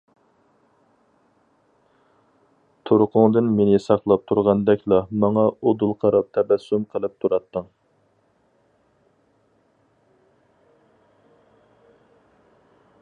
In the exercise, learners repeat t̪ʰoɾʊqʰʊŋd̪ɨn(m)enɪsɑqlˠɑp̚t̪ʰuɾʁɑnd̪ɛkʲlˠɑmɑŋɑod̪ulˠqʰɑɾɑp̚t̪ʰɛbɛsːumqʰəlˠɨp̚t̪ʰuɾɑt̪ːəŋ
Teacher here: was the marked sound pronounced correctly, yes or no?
yes